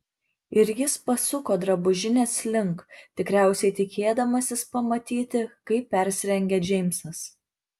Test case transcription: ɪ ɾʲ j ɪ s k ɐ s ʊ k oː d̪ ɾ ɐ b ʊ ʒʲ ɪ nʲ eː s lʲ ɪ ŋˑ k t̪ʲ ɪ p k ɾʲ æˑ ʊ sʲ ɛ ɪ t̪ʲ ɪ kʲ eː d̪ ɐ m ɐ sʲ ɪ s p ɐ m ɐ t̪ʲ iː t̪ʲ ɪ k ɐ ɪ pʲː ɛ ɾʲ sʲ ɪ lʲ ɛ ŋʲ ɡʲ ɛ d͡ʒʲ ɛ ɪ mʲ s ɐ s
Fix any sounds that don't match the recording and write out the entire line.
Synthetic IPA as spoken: ɪ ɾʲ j ɪ s p ɐ s ʊ k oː d̪ ɾ ɐ b ʊ ʒʲ ɪ nʲ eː s lʲ ɪ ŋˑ k t̪ʲ ɪ k ɾʲ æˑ ʊ sʲ ɛ ɪ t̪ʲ ɪ kʲ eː d̪ ɐ m ɐ sʲ ɪ s p ɐ m ɐ t̪ʲ iː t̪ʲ ɪ k ɐ ɪ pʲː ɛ ɾʲ sʲ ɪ ɾʲ ɛ ŋʲ ɡʲ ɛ d͡ʒʲ ɛ ɪ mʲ s ɐ s